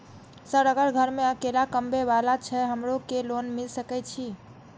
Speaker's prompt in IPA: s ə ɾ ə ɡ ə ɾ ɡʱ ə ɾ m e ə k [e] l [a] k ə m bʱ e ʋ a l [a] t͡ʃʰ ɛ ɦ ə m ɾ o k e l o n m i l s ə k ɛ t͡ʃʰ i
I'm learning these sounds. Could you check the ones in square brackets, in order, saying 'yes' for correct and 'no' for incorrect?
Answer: yes, yes, yes

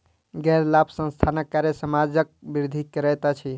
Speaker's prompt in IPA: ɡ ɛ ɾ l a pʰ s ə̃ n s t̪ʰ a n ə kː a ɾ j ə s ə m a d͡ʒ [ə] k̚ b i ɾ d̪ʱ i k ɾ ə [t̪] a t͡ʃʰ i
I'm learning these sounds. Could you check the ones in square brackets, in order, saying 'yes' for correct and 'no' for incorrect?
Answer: yes, yes

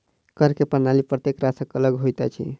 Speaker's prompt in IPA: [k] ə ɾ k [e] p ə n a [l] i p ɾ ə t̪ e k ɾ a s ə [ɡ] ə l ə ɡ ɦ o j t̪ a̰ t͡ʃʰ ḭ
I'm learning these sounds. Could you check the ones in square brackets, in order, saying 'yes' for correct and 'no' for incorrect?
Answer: yes, yes, yes, no

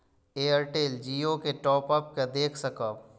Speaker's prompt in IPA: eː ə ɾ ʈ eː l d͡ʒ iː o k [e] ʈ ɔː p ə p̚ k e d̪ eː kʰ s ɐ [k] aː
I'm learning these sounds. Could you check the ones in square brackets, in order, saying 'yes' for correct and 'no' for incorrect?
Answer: yes, yes

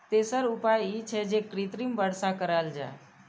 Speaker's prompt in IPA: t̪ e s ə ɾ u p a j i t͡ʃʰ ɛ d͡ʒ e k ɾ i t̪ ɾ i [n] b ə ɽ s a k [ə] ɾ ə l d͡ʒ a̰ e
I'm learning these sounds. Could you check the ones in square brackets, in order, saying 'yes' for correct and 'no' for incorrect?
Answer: no, yes

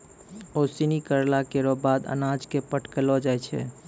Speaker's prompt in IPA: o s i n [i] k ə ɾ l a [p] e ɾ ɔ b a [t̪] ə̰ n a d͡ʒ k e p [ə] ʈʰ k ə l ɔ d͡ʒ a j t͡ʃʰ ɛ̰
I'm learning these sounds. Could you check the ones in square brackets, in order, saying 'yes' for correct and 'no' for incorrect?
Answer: yes, no, no, yes

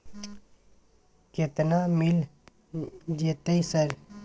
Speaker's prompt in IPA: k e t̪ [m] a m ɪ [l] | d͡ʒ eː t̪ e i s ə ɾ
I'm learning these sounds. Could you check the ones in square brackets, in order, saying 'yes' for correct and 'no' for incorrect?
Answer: no, yes

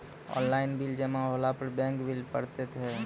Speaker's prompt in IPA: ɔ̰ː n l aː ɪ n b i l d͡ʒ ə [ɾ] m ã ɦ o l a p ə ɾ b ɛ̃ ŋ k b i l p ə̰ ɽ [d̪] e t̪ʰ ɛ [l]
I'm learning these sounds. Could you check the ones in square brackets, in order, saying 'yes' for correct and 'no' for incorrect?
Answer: no, no, no

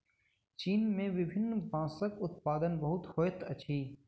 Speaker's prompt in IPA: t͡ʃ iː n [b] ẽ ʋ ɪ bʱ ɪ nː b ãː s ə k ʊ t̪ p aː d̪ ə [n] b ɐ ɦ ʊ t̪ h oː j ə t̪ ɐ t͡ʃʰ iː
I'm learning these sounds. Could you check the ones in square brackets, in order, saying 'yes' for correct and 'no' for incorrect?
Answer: no, yes

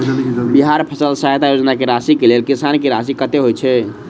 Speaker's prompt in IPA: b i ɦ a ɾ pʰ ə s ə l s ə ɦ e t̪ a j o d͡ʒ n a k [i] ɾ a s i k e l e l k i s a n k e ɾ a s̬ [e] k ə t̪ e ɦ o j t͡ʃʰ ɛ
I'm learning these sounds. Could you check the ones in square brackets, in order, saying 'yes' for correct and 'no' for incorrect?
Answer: no, no

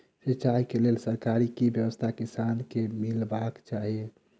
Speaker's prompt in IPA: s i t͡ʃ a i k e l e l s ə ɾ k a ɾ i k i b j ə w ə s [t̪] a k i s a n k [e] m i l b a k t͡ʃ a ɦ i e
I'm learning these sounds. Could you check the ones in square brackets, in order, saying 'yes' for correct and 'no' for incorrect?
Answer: no, yes

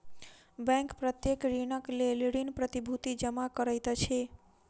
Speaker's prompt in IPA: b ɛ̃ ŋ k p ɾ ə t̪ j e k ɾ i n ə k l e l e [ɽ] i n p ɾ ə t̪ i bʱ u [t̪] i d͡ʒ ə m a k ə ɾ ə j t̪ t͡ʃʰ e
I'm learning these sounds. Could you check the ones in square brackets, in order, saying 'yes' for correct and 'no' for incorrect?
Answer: yes, yes

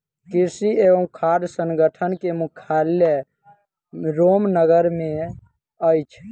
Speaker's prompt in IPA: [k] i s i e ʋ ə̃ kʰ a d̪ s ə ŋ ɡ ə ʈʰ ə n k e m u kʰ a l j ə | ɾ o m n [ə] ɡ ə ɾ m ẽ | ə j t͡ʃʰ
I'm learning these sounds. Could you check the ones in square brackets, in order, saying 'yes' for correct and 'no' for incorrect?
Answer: yes, yes

